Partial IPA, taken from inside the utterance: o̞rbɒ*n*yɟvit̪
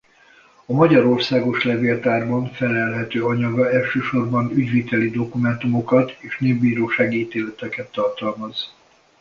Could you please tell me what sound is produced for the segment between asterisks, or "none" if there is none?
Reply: n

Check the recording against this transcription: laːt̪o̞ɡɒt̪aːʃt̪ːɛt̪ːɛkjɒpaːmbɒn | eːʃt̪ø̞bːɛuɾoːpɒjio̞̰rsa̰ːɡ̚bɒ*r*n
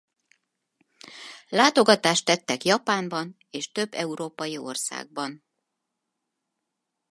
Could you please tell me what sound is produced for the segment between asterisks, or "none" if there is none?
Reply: none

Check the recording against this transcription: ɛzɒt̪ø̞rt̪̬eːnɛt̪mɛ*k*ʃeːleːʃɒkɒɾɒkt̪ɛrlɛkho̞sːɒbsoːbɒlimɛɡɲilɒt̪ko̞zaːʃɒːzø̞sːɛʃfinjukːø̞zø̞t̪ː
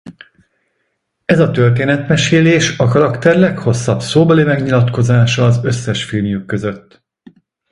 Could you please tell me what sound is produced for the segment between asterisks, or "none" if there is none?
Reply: none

